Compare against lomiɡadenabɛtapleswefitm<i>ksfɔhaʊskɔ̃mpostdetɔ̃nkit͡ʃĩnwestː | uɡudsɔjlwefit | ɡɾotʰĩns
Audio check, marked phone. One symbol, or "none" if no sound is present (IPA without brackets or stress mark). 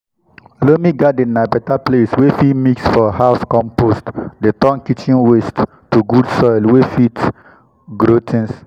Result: i